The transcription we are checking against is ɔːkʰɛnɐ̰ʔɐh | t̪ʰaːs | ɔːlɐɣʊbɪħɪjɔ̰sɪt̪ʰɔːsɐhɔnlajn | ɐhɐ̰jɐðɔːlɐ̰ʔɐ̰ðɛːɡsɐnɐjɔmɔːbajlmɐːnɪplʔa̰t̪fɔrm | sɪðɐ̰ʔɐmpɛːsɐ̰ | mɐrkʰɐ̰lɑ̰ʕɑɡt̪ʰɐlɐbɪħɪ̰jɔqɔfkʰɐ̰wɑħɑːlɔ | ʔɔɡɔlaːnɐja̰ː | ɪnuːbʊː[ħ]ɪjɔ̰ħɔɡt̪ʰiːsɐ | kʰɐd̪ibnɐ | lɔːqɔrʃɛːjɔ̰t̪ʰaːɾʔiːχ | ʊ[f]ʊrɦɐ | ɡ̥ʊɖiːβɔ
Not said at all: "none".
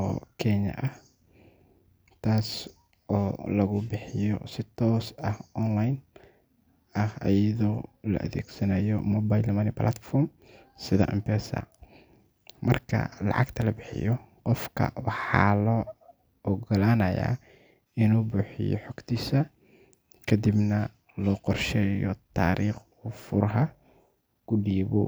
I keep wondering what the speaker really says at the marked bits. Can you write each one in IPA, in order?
ħ, f

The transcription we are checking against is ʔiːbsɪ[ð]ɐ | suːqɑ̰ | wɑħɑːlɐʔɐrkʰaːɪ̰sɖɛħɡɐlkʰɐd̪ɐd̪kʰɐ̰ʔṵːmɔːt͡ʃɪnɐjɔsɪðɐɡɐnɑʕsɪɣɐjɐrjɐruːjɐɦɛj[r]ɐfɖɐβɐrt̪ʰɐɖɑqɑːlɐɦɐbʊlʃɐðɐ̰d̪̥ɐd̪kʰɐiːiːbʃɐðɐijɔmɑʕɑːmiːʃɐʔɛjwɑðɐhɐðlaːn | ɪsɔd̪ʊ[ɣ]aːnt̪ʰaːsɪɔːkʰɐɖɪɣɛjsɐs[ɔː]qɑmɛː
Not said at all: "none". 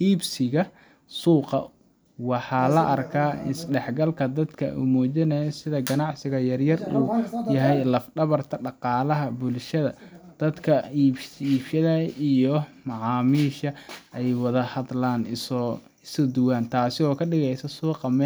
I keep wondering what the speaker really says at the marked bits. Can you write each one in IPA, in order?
ɣ, l, w, uː

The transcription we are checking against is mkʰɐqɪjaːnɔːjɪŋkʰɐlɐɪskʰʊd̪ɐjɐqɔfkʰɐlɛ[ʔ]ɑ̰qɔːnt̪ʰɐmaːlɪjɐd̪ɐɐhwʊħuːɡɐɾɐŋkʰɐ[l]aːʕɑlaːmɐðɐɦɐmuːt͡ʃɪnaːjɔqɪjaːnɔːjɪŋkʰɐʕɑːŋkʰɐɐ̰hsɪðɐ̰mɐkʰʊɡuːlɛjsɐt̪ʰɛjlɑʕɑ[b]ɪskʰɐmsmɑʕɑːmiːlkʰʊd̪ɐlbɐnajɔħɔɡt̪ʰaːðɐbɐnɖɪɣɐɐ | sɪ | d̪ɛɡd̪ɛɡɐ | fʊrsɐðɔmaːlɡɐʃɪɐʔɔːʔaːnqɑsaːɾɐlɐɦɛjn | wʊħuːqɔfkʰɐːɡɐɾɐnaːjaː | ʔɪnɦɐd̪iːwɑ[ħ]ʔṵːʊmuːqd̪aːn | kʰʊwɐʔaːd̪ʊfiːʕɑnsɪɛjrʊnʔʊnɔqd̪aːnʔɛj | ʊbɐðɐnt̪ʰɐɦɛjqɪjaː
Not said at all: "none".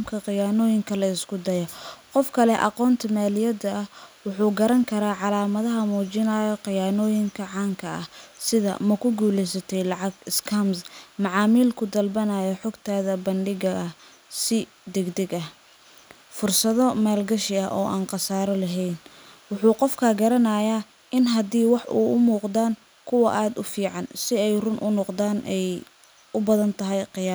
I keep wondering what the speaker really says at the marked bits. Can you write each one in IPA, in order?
ʔ, ɾ, ɡ, ħ

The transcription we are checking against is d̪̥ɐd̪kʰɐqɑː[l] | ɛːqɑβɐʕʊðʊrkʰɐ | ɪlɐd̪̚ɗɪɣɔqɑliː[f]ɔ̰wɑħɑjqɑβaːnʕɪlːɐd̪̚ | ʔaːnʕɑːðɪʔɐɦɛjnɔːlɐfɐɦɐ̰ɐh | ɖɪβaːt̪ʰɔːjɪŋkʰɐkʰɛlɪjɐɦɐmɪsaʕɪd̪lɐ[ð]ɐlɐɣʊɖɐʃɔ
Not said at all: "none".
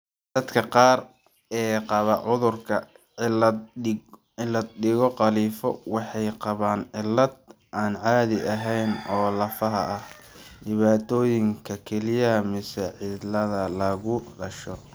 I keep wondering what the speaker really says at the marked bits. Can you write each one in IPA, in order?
r, f, ð

